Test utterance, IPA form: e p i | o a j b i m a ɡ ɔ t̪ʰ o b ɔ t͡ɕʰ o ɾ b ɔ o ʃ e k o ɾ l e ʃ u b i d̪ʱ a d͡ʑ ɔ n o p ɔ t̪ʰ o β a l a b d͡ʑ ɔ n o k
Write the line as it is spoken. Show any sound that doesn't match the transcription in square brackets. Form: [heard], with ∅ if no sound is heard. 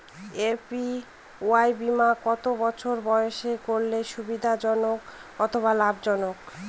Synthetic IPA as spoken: e p i | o a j b i m a [k] ɔ [t̪] o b ɔ t͡ɕʰ o ɾ b ɔ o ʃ e k o ɾ l e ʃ u b i d̪ʱ a d͡ʑ ɔ n o [k] ɔ t̪ʰ o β a l a b d͡ʑ ɔ n o k